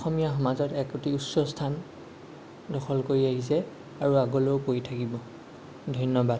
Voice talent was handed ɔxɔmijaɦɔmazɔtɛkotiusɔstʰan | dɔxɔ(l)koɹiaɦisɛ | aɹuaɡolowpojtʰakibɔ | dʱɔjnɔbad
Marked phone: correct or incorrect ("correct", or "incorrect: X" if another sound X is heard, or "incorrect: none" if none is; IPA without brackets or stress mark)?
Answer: correct